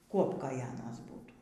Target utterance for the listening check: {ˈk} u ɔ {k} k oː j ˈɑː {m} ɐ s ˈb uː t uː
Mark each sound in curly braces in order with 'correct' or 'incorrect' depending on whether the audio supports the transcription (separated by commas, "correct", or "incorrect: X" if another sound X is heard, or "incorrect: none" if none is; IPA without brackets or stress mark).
correct, incorrect: p, incorrect: n